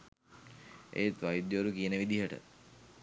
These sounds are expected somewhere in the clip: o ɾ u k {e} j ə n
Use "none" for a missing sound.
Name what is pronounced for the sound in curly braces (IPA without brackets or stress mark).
i